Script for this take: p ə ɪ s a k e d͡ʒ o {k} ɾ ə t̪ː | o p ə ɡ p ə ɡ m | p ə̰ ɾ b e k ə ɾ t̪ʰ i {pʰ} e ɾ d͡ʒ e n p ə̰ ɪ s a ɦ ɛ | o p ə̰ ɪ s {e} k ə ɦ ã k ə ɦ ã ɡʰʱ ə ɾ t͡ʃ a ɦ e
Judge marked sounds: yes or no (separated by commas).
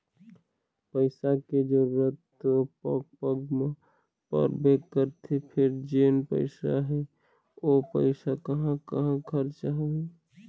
no, yes, no